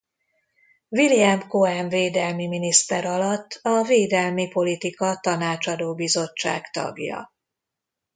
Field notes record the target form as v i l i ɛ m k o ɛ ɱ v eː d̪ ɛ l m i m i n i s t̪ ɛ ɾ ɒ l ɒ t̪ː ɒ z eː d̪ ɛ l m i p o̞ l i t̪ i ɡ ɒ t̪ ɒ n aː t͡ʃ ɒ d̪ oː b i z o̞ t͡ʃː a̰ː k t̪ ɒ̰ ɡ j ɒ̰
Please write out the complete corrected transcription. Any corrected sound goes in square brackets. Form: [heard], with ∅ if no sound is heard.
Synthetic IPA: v i l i ɛ m k o ɛ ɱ v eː d̪ ɛ l m i m i n i s t̪ ɛ ɾ ɒ l ɒ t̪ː ɒ [v] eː d̪ ɛ l m i p o̞ l i t̪ i [k] ɒ t̪ ɒ n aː t͡ʃ ɒ d̪ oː b i z o̞ t͡ʃː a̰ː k t̪ ɒ̰ ɡ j ɒ̰